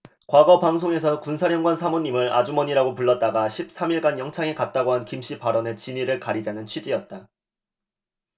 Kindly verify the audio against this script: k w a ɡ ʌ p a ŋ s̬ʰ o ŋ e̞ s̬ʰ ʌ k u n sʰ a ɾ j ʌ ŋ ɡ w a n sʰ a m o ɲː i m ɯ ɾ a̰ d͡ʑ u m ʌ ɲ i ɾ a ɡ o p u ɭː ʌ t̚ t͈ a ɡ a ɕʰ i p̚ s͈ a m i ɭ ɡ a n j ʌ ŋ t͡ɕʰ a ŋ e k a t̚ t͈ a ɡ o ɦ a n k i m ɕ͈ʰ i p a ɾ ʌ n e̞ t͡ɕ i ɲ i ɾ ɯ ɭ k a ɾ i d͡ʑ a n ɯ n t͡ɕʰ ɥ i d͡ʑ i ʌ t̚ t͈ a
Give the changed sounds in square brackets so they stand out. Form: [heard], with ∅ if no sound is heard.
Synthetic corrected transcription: k w a ɡ ʌ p a ŋ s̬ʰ o ŋ e̞ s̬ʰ ʌ k u n sʰ a ɾ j ʌ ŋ ɡ w a n sʰ a m o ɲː i m ɯ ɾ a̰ d͡ʑ u m ʌ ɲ i ɾ a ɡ o p u ɭː ʌ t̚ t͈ a ɡ a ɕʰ i p̚ s͈ a m i ɭ ɡ a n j ʌ ŋ t͡ɕʰ a ŋ e k a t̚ t͈ a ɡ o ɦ a n k i m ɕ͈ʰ i p a ɾ ʌ n e̞ t͡ɕ i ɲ i ɾ ɯ ɭ k a ɾ i d͡ʑ a n ɯ n t͡ɕʰ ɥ i d͡ʑ i ʌ t̚ t͈ a